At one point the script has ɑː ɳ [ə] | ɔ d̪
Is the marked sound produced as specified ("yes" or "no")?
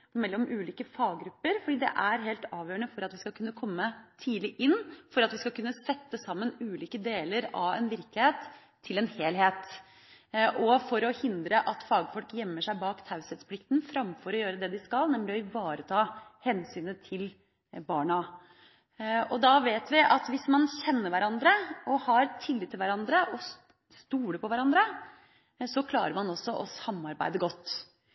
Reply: no